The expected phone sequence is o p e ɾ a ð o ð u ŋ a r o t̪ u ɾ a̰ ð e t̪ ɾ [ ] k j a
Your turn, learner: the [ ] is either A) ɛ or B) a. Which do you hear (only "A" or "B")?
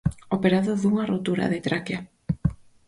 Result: B